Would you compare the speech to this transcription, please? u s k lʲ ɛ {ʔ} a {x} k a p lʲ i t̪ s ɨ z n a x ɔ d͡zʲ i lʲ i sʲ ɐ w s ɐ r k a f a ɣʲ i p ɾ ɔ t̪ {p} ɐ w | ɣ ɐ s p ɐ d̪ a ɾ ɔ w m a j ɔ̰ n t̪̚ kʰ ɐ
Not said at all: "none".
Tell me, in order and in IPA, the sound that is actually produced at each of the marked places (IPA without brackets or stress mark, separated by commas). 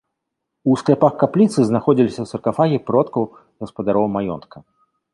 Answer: p, x, k